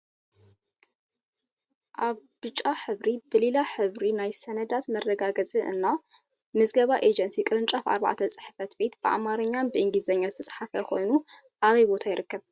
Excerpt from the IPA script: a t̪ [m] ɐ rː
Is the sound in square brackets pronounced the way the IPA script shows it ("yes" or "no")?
yes